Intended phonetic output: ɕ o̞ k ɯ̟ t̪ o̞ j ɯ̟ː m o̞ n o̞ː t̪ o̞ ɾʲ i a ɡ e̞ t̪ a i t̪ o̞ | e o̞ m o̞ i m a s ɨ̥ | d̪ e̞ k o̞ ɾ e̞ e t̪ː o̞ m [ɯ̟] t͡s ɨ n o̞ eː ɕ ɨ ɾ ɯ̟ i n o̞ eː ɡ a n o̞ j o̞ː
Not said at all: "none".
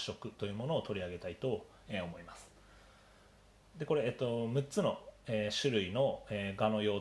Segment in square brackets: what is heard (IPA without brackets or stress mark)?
ɯ̟